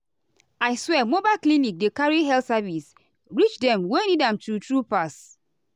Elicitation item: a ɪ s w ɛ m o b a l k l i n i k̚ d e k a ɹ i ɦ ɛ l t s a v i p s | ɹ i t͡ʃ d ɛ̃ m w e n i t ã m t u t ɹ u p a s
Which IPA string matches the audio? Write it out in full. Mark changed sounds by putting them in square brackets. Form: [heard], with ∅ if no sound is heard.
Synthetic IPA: a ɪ s w ɛ m o b a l k l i n i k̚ d e k a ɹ i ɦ ɛ l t s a v i [∅] s | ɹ i t͡ʃ d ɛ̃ m w e n i [d] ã m t u t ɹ u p a s